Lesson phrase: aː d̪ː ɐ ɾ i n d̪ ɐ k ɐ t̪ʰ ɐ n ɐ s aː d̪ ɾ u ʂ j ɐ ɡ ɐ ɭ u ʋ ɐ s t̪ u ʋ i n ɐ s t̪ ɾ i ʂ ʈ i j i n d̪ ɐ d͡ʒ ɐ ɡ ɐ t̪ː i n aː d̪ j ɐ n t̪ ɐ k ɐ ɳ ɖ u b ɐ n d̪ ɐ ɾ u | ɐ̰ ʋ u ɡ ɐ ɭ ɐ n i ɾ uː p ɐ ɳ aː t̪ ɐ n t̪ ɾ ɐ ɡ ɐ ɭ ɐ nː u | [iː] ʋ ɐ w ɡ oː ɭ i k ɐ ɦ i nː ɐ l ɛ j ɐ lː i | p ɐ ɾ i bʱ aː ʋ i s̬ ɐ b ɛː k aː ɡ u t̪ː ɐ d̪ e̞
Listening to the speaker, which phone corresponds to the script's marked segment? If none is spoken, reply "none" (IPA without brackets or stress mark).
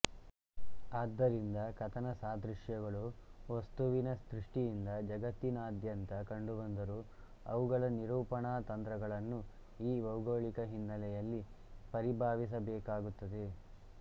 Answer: iː